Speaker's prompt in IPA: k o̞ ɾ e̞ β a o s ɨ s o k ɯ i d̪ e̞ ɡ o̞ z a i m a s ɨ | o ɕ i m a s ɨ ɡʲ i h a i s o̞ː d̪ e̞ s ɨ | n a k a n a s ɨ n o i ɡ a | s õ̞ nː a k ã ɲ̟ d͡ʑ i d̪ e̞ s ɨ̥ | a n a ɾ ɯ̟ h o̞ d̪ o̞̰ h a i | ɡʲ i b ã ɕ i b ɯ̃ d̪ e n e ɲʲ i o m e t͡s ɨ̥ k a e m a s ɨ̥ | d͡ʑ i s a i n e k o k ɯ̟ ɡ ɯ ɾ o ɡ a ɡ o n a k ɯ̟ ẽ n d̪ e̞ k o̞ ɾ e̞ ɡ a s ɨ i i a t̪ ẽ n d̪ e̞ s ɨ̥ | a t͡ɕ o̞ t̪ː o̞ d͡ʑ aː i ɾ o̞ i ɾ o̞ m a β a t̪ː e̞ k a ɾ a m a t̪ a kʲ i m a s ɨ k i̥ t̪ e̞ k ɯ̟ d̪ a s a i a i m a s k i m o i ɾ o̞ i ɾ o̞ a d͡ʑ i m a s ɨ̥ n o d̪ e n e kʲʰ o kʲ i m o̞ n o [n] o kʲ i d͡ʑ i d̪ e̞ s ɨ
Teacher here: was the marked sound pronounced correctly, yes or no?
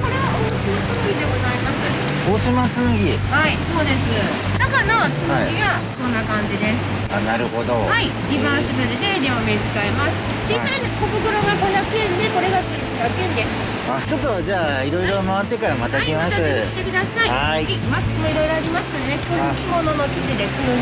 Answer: yes